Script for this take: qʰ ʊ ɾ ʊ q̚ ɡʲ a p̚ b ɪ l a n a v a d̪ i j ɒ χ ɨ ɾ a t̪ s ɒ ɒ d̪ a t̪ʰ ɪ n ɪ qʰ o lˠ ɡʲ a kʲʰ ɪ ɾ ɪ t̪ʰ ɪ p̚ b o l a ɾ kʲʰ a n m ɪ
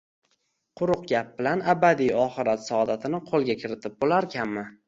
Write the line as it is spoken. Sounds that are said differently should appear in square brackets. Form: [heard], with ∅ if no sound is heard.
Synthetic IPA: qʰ ʊ ɾ ʊ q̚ ɡʲ a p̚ b ɪ l a n a [b] a d̪ i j ɒ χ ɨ ɾ a t̪ s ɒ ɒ d̪ a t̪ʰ ɪ n ɪ qʰ o lˠ ɡʲ a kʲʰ ɪ ɾ ɪ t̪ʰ ɪ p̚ b o l a ɾ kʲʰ a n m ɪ